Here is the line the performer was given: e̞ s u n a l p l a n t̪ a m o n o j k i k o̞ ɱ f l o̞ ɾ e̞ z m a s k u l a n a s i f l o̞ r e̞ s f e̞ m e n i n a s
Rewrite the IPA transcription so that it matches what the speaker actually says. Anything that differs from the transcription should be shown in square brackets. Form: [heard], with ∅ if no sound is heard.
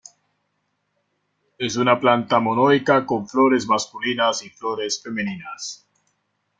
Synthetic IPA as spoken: e̞ s u n a [∅] p l a n t̪ a m o n o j k [a] k o̞ ɱ f l o̞ ɾ e̞ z m a s k u l [i] n a s i f l o̞ [ɾ] e̞ s f e̞ m e n i n a s